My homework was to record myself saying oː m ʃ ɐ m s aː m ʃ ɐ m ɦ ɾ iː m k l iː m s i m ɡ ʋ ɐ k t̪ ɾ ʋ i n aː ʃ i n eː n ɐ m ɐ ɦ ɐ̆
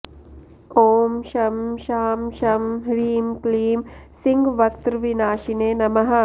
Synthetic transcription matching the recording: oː m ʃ ɐ m ʃ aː m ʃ ɐ m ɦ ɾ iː m k l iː m s i ŋ ɡ ʋ ɐ k t̪ ɾ ʋ i n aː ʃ i n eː n ɐ m ɐ ɦ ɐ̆